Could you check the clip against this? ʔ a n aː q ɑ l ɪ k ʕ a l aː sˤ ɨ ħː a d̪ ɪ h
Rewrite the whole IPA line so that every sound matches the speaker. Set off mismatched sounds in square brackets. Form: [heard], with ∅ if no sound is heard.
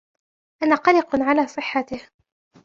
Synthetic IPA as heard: ʔ a n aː q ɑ l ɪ [q] ʕ a l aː sˤ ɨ ħː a [t̪] ɪ h